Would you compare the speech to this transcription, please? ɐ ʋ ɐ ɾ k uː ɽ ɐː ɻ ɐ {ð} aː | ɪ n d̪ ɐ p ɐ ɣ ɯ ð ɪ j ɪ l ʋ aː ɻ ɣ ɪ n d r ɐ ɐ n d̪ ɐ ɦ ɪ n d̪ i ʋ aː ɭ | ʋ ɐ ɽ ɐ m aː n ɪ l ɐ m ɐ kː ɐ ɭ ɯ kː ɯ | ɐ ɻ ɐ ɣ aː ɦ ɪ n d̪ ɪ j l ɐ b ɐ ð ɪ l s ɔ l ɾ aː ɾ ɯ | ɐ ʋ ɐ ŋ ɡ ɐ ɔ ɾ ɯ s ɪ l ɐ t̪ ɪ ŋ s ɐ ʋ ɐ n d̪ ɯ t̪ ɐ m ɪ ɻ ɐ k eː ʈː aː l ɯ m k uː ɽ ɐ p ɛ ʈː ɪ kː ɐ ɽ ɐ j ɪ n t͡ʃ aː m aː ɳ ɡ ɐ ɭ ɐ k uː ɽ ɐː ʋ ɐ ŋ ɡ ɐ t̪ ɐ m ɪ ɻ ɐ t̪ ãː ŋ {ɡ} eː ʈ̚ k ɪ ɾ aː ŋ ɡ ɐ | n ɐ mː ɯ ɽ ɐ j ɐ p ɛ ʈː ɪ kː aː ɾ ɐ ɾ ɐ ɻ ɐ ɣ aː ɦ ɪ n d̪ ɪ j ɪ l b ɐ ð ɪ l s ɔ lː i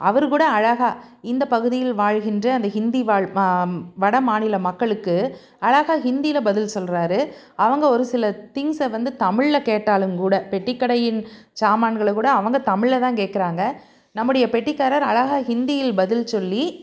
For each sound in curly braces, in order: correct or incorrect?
incorrect: ɣ, incorrect: k

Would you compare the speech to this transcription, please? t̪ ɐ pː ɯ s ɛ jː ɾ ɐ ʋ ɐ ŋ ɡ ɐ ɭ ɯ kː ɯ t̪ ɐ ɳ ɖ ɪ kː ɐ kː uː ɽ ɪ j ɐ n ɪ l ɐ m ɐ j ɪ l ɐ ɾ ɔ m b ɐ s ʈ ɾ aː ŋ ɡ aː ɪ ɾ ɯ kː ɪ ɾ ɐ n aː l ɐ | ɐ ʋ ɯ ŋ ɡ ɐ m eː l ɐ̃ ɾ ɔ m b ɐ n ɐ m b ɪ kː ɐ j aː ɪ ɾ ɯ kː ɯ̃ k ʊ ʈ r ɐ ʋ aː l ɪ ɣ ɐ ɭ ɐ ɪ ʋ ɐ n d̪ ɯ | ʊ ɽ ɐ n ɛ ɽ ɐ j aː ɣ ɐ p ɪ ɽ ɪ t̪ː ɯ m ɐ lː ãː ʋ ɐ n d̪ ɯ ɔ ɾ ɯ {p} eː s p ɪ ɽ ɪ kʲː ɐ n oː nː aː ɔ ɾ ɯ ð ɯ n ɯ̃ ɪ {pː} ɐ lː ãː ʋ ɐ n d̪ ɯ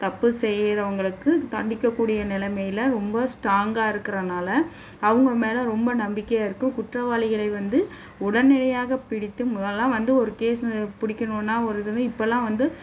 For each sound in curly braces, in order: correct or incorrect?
incorrect: k, correct

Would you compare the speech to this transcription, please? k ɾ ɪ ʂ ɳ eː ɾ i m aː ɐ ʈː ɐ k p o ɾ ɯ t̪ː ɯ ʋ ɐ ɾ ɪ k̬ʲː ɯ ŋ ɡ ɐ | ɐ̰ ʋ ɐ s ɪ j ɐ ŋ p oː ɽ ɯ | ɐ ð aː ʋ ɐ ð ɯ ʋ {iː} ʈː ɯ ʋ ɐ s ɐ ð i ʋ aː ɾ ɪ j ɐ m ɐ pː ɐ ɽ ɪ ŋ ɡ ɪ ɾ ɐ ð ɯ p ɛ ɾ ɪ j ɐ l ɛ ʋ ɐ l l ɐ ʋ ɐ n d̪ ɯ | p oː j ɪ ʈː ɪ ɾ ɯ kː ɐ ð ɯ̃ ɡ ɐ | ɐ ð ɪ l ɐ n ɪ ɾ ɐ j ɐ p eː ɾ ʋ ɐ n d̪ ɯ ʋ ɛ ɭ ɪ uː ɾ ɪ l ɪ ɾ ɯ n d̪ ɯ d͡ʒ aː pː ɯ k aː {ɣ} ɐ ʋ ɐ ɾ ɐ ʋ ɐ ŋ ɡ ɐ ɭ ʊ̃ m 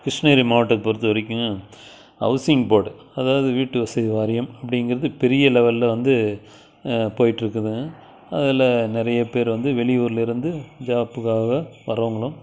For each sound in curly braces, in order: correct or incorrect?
correct, correct

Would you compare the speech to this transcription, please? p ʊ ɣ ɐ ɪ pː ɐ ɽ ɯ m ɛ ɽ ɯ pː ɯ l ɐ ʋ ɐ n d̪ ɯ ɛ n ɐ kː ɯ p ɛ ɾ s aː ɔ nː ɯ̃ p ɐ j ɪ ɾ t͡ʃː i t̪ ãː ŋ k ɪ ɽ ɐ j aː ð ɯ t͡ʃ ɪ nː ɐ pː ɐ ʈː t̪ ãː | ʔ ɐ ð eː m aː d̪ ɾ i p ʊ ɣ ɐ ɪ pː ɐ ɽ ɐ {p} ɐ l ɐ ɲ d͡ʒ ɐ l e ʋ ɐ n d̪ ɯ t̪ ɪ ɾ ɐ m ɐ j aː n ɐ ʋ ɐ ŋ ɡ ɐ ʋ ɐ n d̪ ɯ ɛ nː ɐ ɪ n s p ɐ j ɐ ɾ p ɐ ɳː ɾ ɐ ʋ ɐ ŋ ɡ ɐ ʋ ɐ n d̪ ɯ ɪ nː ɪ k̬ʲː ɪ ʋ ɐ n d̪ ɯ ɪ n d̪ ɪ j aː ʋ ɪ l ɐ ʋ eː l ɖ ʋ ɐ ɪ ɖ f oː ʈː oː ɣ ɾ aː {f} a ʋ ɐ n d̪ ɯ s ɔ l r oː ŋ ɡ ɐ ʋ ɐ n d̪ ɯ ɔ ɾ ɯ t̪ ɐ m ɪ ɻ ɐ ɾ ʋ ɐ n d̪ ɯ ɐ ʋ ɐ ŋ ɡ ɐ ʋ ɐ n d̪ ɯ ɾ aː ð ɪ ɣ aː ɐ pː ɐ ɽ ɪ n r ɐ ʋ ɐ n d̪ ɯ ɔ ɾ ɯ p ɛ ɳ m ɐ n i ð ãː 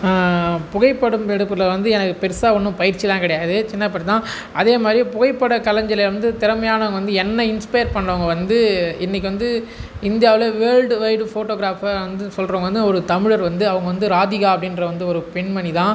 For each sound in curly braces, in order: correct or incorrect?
incorrect: k, correct

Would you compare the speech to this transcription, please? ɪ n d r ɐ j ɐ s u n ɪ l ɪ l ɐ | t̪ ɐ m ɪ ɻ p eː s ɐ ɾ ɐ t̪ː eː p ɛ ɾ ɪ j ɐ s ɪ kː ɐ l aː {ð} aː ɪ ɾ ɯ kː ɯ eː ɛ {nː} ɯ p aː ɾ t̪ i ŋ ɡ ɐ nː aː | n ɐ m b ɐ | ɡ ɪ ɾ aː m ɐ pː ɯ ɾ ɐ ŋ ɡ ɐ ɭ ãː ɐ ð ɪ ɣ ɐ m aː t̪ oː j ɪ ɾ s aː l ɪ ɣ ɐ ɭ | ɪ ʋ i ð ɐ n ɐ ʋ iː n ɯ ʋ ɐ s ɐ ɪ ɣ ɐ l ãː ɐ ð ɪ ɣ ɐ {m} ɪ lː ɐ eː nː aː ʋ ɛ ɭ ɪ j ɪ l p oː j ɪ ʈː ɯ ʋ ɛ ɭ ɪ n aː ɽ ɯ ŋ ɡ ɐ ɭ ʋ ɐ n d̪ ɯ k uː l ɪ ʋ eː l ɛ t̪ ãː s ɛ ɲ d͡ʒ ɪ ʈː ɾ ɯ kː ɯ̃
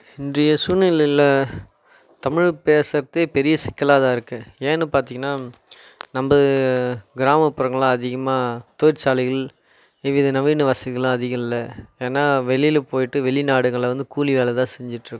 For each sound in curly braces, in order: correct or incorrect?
correct, correct, correct

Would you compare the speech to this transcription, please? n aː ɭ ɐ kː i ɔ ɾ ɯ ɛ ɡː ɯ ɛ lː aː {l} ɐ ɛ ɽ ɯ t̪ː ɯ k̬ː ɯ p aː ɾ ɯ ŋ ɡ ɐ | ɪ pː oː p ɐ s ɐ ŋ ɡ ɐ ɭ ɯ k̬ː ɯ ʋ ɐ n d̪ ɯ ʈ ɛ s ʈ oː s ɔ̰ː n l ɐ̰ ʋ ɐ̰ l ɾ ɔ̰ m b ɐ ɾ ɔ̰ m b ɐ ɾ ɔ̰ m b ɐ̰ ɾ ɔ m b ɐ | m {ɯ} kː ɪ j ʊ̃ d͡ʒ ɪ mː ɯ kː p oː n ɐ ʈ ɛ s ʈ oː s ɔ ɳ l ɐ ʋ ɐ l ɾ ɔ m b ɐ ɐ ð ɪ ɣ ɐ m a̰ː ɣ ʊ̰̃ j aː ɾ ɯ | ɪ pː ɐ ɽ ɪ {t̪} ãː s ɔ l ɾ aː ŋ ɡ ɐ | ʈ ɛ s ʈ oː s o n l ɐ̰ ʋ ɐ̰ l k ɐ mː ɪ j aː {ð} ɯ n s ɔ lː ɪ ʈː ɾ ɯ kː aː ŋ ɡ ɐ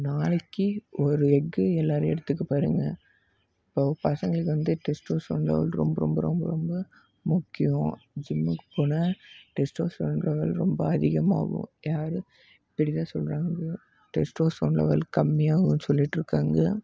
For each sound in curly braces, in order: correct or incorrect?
incorrect: ɾ, incorrect: ʊ, correct, incorrect: ɣ

